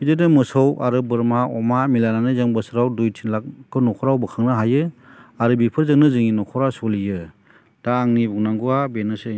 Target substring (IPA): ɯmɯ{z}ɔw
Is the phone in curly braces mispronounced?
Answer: yes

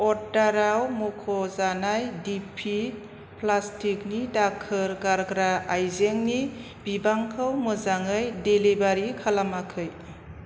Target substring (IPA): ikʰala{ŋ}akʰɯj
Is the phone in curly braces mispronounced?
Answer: yes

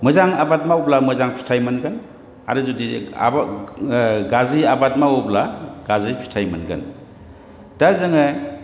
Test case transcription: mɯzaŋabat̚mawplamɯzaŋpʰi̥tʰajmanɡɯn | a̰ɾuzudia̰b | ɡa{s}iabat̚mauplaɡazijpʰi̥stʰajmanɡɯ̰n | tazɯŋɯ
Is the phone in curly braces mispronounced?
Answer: yes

